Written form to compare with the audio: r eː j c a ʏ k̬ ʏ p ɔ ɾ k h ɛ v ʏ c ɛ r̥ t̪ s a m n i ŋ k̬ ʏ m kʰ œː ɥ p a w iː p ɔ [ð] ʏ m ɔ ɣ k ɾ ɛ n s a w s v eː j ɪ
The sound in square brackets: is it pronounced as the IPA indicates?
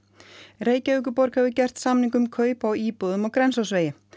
yes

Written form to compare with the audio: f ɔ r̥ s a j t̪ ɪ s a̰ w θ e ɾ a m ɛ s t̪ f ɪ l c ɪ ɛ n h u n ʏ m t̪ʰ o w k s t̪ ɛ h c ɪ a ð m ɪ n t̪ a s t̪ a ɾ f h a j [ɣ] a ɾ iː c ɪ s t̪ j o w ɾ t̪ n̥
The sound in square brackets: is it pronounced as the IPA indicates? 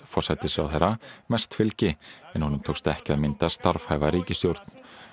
no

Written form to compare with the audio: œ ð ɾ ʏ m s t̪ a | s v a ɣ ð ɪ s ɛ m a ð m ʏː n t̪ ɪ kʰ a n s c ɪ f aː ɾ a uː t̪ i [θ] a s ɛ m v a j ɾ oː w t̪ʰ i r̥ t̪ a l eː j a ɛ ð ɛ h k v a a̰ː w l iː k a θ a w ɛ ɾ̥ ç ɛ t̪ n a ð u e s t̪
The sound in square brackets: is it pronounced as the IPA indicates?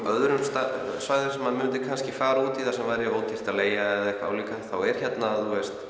yes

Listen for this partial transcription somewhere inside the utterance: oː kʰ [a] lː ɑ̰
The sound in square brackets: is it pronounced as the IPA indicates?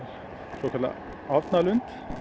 no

